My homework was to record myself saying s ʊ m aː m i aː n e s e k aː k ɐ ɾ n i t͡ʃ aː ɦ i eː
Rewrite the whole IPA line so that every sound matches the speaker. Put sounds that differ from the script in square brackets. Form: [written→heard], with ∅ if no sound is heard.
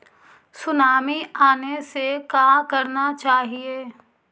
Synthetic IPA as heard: s ʊ [m→n] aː m i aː n e s e k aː k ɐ ɾ n [i→a] t͡ʃ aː ɦ i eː